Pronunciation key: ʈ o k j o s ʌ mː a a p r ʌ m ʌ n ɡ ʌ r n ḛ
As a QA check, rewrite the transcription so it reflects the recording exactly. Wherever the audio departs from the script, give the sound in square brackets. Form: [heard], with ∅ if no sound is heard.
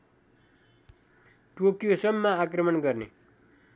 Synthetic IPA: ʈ o k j o s ʌ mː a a [k] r ʌ m ʌ n ɡ ʌ r n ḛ